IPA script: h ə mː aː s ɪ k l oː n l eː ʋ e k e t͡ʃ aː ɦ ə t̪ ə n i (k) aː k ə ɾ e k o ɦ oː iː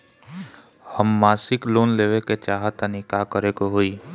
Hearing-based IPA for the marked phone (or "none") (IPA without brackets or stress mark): k